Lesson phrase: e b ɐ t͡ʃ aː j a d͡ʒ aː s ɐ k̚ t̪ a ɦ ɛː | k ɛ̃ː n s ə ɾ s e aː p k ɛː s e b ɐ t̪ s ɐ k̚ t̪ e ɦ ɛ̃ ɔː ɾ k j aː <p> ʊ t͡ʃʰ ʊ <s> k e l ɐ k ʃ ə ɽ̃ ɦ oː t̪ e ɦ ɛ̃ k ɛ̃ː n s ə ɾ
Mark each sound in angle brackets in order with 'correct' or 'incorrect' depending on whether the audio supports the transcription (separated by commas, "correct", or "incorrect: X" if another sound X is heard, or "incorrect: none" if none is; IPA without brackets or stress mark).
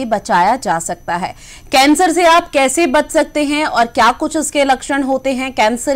incorrect: k, correct